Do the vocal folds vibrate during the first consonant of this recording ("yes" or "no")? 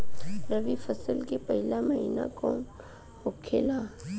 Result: yes